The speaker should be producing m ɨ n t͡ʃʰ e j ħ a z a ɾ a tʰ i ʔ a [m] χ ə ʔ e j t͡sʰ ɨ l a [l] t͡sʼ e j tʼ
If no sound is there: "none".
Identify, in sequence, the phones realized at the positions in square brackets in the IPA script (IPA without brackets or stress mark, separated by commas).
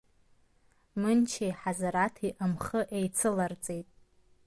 m, r